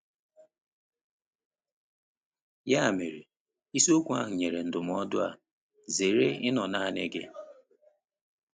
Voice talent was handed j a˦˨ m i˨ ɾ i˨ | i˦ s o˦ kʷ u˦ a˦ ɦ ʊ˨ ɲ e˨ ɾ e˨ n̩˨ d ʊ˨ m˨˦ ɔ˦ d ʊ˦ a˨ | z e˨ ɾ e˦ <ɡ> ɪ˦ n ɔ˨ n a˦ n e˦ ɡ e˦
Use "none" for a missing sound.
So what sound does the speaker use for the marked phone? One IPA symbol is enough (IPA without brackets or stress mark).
none